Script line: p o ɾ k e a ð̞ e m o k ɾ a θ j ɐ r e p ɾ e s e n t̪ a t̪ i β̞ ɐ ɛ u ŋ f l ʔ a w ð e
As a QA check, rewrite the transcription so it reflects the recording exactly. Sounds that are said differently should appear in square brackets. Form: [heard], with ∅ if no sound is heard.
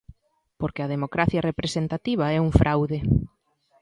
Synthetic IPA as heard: p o ɾ k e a ð̞ e m o k ɾ a θ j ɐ r e p ɾ e s e n t̪ a t̪ i β̞ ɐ ɛ u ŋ f [ɾ] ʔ a w ð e

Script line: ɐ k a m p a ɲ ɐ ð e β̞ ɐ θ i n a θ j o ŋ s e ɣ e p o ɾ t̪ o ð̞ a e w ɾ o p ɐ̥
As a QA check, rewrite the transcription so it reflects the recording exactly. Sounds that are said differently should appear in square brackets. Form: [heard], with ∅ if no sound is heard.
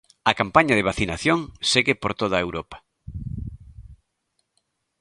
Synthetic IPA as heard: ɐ k a m p a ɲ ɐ ð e β̞ [a] θ i n a θ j o ŋ s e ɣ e p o ɾ t̪ o ð̞ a e w ɾ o p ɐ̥

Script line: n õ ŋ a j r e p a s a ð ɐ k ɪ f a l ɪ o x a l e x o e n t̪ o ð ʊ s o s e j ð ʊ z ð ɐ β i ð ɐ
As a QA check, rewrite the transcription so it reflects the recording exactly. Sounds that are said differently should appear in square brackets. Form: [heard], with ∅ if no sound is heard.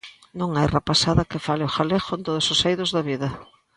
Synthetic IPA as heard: n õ ŋ a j r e p a s a ð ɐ k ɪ f a l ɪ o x a l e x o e n t̪ o ð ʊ s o s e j ð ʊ z ð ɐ β i ð ɐ

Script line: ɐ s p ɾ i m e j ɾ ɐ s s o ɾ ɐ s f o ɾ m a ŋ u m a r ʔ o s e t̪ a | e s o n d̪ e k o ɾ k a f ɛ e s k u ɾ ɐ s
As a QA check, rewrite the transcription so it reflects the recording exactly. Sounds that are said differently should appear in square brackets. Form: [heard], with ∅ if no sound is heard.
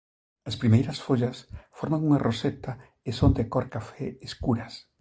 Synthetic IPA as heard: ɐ s p ɾ i m e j ɾ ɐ s [f] o [ʎ] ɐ s f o ɾ m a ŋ u [ŋ] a r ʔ o s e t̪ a | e s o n d̪ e k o ɾ k a f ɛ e s k u ɾ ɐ s

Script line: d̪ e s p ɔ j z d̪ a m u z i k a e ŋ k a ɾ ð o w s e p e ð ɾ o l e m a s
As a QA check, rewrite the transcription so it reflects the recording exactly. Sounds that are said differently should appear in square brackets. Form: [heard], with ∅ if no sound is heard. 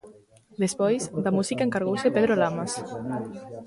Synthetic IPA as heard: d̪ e s p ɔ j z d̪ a m u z i k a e ŋ k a ɾ [ɣ] o w s e p e ð ɾ o l [a] m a s

